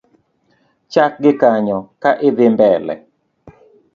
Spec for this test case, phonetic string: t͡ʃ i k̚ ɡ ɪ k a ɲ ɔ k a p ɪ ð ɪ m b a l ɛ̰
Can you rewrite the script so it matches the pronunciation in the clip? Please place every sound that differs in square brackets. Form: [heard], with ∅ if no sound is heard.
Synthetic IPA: t͡ʃ [a] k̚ ɡ ɪ k a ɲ ɔ k a [ʔ] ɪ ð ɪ m b [ɛ] l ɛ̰